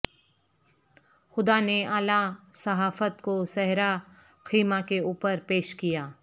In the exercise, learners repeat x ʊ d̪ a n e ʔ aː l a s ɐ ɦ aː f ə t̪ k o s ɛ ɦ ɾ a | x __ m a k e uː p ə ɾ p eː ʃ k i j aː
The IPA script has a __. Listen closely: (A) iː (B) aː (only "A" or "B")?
A